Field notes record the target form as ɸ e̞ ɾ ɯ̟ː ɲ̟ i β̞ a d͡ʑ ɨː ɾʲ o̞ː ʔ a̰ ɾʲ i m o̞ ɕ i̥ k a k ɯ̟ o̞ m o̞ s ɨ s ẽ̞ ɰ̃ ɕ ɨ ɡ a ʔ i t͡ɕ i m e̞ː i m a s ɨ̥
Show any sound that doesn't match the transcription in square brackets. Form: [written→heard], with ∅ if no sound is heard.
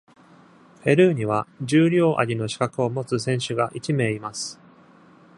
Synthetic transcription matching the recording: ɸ e̞ ɾ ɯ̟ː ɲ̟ i β̞ a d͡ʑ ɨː ɾʲ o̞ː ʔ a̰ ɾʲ i [m→n] o̞ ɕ i̥ k a k ɯ̟ o̞ m o̞ [s→t͡s] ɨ s ẽ̞ ɰ̃ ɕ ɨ ɡ a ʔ i t͡ɕ i m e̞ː i m a s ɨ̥